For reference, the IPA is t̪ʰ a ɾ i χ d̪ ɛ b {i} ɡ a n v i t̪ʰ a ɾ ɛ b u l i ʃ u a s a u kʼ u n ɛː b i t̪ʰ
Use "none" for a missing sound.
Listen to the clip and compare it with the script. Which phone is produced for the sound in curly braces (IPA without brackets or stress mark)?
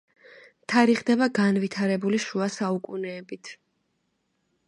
a